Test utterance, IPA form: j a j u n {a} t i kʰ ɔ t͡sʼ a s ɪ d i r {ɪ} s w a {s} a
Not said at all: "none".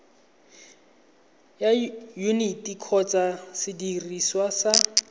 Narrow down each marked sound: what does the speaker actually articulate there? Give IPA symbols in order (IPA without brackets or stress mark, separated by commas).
i, i, s